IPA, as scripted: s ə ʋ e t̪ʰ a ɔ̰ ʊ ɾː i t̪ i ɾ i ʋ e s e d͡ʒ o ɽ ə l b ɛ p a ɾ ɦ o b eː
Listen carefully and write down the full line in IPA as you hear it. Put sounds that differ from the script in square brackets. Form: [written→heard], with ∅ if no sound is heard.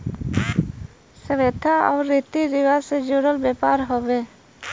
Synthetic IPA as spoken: s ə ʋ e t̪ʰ a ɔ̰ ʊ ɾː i t̪ i ɾ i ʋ [e→a] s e d͡ʒ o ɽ ə l b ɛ p a ɾ ɦ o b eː